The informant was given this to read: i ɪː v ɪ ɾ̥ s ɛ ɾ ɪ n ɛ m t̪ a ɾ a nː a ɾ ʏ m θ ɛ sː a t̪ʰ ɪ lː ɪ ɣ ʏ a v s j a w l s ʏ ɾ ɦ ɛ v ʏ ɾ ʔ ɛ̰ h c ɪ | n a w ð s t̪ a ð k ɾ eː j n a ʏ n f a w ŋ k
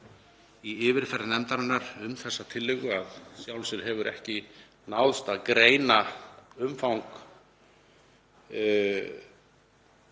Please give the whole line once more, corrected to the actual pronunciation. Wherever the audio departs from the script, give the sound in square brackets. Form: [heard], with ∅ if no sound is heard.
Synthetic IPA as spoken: i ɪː v ɪ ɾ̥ [f] ɛ ɾ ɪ n ɛ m t̪ a ɾ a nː a ɾ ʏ m θ ɛ sː a t̪ʰ ɪ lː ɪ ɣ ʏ a [ð] s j a w l s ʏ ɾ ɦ ɛ v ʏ ɾ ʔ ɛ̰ h c ɪ | n a w ð s t̪ a ð k ɾ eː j n a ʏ [m] f a w ŋ k